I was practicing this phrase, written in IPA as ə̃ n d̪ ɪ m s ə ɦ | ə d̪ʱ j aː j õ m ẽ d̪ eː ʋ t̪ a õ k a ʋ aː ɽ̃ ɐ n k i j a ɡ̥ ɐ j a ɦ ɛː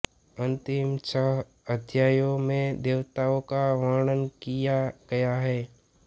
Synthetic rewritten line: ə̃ n t̪ ɪ m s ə ɦ | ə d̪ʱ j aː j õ m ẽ d̪ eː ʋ t̪ a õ k a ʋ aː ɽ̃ ə n k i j a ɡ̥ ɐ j a ɦ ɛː